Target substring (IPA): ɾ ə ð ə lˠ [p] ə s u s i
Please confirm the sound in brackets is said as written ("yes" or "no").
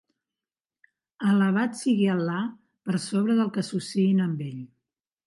no